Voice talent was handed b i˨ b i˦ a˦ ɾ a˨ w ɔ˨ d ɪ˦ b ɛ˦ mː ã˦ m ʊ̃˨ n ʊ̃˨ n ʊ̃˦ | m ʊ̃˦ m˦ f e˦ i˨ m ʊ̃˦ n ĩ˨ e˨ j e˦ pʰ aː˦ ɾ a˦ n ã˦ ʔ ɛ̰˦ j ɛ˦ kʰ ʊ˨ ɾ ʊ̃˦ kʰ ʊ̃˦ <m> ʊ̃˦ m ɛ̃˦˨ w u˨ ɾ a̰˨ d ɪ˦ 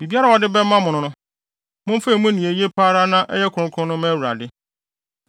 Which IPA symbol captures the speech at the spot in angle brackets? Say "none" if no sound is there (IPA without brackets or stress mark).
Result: n